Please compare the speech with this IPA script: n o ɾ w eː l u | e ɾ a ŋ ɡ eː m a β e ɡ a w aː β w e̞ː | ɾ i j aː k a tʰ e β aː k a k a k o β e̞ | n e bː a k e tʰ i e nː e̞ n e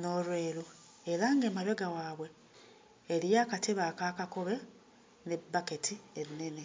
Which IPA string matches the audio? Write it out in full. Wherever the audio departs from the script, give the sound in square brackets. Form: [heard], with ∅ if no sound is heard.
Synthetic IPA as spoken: n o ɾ w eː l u | e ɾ a ŋ ɡ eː m a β e ɡ a w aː β w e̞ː | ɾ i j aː k a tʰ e β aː k a k a k o β e̞ | n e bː a k e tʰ i e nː e̞ n e